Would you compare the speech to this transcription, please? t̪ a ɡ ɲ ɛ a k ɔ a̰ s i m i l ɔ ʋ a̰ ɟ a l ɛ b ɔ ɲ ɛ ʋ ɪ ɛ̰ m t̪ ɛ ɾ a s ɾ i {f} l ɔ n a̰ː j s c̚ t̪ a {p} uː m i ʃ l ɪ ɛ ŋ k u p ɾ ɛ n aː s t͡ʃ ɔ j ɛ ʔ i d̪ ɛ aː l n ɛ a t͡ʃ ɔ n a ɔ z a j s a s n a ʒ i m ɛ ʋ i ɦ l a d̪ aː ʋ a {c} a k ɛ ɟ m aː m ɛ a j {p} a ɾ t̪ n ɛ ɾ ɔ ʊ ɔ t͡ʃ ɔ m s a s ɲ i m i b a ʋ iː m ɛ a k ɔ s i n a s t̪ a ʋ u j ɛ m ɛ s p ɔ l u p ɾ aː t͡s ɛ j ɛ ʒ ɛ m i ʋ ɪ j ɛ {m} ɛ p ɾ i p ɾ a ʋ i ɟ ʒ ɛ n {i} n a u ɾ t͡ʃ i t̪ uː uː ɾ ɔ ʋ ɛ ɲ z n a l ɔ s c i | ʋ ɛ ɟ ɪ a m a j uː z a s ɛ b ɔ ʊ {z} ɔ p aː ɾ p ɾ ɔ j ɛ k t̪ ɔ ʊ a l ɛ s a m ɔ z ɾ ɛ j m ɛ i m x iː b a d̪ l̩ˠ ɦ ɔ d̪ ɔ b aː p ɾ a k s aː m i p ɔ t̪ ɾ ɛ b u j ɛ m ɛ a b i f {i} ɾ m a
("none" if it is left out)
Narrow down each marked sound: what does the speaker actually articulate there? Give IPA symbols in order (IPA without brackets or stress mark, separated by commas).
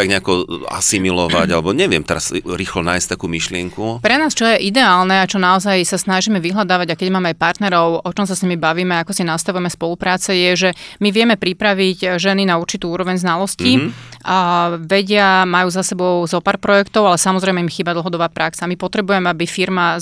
x, k, ɟ, p, m, i, z, i